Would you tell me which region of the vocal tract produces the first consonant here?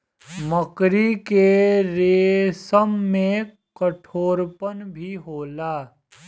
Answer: lips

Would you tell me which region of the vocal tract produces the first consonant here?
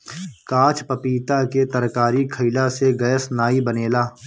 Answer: velum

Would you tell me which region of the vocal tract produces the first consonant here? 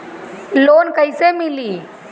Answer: tongue tip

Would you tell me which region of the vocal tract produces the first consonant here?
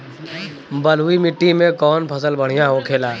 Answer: lips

